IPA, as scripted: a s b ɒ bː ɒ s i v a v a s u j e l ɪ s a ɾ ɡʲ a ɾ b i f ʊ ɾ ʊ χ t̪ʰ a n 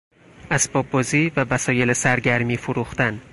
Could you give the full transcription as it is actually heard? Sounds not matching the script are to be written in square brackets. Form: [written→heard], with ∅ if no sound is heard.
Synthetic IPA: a s b ɒ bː ɒ [s→z] i v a v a s [u→ɒ] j e l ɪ s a ɾ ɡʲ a ɾ [b→m] i f ʊ ɾ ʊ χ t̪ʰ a n